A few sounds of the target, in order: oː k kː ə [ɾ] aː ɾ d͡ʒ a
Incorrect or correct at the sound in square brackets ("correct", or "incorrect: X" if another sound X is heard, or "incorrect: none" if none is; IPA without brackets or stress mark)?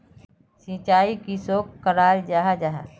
correct